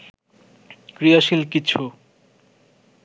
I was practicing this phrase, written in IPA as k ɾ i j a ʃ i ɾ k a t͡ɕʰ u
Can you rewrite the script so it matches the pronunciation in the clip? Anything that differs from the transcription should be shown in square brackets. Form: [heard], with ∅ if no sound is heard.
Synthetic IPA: k ɾ i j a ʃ i [l] k [i] t͡ɕʰ u

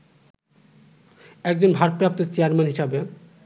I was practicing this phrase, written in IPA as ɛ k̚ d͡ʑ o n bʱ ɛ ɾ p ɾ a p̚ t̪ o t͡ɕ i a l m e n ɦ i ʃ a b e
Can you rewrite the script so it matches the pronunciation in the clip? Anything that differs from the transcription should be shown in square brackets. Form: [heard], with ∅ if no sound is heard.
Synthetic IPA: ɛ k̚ d͡ʑ o n bʱ [a] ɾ p ɾ a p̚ t̪ o t͡ɕ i a [ɾ] m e n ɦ i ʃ a b e

